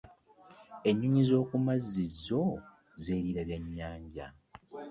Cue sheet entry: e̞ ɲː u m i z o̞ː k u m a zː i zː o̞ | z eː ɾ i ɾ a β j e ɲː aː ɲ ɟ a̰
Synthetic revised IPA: e̞ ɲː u ɲ i z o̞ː k u m a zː i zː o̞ | z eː ɾ i ɾ a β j a ɲː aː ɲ ɟ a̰